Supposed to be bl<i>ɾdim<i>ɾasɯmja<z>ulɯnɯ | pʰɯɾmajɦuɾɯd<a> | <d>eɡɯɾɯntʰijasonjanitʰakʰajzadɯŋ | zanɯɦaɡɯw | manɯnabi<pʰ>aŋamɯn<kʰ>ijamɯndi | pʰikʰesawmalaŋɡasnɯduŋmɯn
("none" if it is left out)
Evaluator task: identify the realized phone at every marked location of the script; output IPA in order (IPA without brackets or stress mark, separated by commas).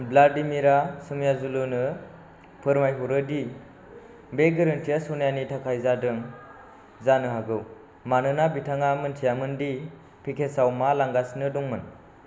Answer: a, i, z, i, b, tʰ, tʰ